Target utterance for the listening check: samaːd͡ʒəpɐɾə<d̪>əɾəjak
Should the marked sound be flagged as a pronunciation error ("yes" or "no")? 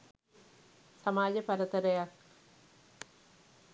yes